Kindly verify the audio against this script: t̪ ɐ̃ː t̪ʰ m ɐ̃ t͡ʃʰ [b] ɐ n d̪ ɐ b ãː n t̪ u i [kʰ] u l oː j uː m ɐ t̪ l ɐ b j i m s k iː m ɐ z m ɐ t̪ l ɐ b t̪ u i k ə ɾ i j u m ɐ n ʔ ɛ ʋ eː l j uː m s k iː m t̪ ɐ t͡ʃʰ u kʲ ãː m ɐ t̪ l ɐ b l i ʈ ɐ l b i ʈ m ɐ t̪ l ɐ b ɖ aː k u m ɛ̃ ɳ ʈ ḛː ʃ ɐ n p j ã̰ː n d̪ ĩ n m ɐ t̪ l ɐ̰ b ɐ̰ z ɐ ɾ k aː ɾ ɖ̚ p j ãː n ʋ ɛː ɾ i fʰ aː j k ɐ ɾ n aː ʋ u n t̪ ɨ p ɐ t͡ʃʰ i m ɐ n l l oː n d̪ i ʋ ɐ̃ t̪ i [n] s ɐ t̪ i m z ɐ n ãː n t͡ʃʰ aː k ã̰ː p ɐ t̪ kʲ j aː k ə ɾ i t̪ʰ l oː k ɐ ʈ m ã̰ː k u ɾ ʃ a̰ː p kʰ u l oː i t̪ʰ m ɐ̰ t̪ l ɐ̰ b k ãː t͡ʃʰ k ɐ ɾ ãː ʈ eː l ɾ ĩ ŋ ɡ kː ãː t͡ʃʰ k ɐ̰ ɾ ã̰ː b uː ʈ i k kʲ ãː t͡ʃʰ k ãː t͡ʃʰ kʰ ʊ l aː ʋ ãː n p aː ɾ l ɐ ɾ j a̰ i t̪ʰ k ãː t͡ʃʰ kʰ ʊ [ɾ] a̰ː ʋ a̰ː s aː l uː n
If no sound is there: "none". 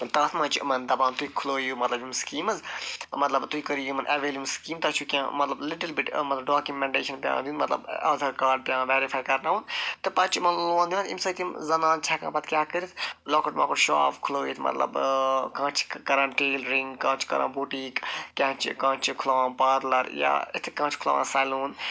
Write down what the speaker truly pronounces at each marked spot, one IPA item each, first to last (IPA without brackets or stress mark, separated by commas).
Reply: m, kʰ, m, l